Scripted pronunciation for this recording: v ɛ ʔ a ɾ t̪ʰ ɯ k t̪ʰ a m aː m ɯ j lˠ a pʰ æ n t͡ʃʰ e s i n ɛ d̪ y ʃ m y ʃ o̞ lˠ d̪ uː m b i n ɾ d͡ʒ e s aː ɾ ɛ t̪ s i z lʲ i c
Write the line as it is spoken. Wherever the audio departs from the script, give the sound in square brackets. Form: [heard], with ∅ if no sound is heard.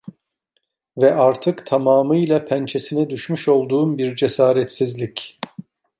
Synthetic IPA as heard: v ɛ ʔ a ɾ t̪ʰ ɯ k t̪ʰ a m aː m ɯ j lˠ a pʰ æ n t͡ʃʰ e s i n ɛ d̪ y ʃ m y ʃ o̞ lˠ d̪ uː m b i [∅] ɾ d͡ʒ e s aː ɾ ɛ t̪ s i z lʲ i c